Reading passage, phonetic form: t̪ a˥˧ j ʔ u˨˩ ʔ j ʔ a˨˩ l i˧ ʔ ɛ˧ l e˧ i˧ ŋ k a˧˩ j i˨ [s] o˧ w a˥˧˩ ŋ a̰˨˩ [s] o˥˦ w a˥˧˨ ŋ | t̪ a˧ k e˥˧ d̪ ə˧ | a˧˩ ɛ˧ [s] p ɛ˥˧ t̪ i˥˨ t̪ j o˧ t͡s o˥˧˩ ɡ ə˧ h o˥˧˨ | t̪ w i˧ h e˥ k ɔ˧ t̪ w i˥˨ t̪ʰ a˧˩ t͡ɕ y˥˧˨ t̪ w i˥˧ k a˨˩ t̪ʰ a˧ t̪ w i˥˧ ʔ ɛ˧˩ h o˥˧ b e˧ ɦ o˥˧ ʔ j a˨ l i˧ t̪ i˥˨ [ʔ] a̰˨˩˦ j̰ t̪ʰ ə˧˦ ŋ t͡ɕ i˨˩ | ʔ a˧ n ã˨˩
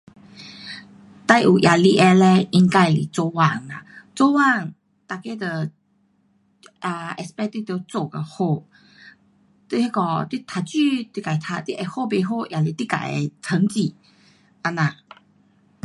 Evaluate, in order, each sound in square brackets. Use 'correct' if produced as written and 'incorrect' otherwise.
incorrect, incorrect, correct, incorrect

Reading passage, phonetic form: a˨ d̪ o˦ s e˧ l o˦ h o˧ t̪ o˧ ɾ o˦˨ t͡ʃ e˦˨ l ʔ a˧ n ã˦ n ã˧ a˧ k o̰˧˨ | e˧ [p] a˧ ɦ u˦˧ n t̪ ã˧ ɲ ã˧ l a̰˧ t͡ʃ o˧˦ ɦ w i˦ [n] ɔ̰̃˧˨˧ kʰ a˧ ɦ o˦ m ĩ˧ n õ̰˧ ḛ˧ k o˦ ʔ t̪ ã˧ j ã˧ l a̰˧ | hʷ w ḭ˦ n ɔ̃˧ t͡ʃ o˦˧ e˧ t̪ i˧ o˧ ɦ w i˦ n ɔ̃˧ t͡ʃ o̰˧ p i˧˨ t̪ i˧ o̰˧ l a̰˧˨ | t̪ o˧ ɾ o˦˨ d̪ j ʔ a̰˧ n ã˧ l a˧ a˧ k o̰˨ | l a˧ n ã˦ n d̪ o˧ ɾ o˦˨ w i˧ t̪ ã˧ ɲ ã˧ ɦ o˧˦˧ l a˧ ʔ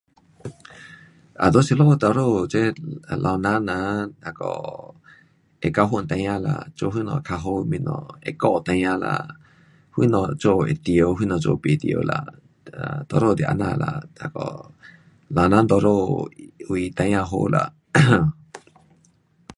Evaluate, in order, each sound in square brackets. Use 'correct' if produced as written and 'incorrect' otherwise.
incorrect, correct

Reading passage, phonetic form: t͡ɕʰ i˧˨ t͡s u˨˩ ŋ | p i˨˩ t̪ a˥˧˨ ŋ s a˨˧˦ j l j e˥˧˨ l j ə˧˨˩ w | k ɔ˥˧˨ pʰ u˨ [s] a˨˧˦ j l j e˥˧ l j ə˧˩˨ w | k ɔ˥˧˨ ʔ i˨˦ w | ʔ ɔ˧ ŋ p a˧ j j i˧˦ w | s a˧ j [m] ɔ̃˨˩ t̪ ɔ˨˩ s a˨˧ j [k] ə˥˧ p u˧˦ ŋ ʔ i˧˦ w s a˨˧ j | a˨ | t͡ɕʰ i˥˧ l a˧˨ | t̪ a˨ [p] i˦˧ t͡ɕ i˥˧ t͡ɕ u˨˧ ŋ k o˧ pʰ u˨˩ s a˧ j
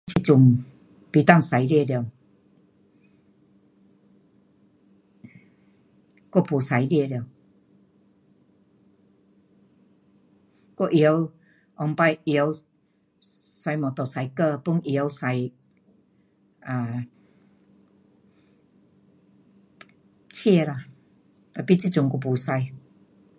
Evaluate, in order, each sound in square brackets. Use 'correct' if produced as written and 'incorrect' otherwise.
correct, correct, correct, correct

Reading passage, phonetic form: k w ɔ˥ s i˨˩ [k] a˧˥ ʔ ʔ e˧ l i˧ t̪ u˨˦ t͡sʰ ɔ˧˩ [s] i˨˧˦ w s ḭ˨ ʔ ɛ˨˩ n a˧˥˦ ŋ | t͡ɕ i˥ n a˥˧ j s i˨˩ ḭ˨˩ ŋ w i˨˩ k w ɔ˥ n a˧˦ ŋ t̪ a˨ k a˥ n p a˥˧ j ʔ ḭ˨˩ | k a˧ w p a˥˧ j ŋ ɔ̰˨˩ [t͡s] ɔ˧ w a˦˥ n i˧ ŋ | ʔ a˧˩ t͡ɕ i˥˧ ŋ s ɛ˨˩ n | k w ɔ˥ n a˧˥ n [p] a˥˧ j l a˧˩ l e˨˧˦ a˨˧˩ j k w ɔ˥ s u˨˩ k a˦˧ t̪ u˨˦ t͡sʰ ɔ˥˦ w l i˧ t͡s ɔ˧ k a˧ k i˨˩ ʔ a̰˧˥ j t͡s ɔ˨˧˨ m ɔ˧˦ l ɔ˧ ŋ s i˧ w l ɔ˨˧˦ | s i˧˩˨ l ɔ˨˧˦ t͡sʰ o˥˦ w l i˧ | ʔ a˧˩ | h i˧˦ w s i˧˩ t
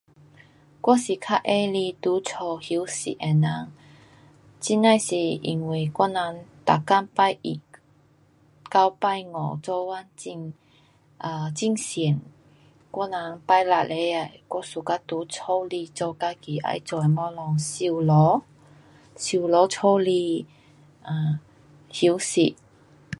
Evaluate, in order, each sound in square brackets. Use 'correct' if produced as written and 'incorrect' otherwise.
incorrect, incorrect, correct, correct

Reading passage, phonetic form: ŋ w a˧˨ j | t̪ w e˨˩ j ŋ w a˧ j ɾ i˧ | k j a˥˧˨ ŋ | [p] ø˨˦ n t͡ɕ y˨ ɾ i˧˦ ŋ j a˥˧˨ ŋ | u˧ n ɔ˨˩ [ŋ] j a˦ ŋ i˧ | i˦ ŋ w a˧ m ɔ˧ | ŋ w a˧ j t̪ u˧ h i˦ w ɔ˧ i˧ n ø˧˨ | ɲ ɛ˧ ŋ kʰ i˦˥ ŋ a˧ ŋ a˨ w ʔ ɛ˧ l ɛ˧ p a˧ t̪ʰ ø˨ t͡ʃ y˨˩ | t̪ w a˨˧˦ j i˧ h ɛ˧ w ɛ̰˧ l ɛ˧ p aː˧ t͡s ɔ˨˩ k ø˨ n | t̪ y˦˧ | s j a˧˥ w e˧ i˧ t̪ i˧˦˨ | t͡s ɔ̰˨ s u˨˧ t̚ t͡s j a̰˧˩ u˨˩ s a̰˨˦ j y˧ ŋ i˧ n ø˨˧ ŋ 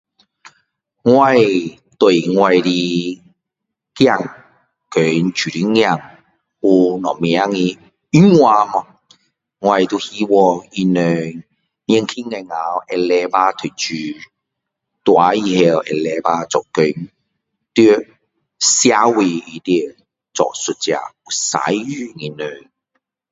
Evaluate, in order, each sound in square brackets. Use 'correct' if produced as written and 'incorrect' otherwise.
incorrect, incorrect

